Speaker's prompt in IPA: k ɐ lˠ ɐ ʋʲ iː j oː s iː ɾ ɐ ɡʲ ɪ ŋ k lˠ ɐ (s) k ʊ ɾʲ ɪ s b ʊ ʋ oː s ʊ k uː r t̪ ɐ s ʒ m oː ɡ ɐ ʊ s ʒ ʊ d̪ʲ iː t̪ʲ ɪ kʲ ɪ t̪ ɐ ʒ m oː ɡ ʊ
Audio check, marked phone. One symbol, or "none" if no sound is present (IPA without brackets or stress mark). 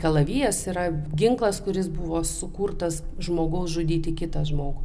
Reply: s